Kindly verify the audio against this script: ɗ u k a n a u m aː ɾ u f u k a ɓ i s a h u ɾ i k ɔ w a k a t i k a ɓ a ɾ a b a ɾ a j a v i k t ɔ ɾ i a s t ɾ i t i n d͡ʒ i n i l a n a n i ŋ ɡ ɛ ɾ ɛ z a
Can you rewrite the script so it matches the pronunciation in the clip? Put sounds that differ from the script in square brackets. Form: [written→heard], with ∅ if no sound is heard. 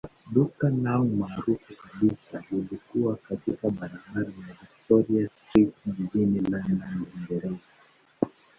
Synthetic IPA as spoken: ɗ u k a n a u m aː ɾ u f u k a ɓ i s a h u [ɾ→l] i k [ɔ→u] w a k a t i k a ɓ a ɾ a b a ɾ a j a v i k t ɔ ɾ i a s t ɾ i t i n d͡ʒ i n i l a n a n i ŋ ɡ ɛ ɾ ɛ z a